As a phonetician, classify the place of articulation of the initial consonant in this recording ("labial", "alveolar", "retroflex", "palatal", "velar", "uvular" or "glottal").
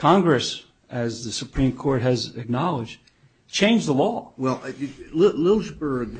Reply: velar